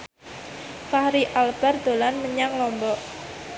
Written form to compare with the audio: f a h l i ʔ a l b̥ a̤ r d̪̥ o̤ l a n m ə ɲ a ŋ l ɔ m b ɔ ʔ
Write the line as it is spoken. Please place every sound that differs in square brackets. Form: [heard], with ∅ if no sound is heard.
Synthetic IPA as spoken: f a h [ɾ] i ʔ a l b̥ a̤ r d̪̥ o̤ l a n m ə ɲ a ŋ l ɔ m b ɔ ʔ